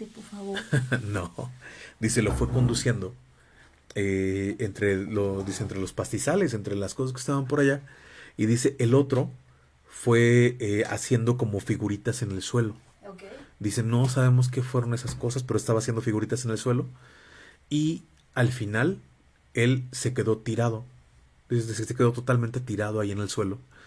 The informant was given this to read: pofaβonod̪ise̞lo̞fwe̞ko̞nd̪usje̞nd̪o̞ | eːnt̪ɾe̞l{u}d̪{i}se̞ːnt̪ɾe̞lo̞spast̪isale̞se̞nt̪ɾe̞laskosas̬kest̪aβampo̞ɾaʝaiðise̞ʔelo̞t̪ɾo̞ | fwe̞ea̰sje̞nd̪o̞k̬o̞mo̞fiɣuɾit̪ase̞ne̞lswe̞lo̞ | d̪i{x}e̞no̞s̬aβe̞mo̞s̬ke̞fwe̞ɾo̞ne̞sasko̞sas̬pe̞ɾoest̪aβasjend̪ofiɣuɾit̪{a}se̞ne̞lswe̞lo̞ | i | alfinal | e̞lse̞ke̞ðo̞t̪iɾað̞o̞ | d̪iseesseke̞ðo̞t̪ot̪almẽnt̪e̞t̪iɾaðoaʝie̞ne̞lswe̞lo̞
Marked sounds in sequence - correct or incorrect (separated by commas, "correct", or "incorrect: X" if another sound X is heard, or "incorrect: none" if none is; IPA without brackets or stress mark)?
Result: incorrect: o, correct, incorrect: s, correct